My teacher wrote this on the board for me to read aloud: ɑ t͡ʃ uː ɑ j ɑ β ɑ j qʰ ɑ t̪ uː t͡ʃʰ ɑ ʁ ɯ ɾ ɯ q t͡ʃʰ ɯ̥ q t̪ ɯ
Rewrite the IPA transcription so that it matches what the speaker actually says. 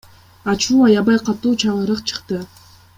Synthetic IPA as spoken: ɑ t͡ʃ uː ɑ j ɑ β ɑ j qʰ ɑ t̪ uː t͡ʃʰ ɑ ʁ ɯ ɾ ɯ q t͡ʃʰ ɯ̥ q t̪ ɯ